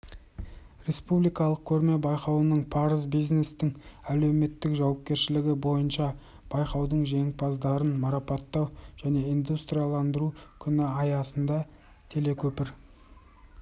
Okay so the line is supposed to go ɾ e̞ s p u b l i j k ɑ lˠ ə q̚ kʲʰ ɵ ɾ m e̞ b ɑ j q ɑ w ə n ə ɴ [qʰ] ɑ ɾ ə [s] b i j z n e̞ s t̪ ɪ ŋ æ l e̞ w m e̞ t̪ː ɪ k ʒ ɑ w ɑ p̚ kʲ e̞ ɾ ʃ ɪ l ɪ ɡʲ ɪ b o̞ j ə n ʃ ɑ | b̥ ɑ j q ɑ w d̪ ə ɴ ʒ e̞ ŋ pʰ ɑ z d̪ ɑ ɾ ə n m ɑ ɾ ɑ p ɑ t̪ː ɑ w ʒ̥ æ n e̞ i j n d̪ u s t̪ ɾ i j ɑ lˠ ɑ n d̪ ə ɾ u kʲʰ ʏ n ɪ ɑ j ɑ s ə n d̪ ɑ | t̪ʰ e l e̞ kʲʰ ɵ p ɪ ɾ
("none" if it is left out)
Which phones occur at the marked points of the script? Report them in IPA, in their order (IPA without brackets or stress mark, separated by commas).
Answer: pʰ, z